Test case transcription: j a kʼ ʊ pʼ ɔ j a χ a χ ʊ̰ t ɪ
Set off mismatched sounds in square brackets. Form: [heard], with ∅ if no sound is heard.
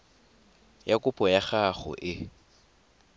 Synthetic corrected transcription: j a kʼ ʊ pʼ ɔ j a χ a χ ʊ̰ [ʔ] ɪ